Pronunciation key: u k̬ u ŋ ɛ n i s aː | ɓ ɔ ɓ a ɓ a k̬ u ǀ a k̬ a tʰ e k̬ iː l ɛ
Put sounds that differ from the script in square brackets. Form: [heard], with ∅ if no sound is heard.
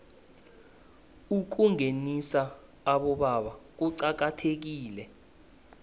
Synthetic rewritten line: u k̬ u ŋ [e] n i s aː | ɓ ɔ ɓ a ɓ a k̬ u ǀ a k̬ a tʰ e k̬ iː l ɛ